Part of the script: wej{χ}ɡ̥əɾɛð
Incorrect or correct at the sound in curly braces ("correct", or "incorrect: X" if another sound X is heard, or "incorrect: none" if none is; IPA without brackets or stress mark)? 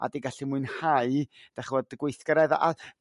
incorrect: θ